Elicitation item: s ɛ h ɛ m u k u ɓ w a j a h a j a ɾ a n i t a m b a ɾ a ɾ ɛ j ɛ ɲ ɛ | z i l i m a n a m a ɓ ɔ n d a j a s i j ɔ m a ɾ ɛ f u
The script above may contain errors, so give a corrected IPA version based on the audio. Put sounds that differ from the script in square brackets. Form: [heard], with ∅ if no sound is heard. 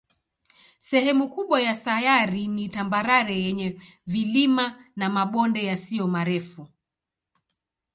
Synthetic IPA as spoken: s ɛ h ɛ m u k u ɓ w a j a [s] a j a ɾ [i] n i t a m b a ɾ a ɾ ɛ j ɛ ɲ ɛ | [v] i l i m a n a m a ɓ ɔ n d [ɛ] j a s i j ɔ m a ɾ ɛ f u